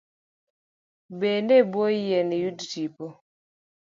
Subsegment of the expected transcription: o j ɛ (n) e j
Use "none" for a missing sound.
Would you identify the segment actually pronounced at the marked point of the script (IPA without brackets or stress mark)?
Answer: n